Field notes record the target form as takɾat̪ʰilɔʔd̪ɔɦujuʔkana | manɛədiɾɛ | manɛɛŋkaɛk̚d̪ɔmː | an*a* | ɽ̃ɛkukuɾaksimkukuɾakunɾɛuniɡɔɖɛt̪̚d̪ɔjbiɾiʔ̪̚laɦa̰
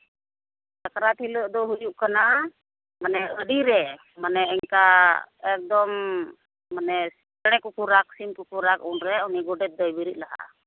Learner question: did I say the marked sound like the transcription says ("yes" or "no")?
no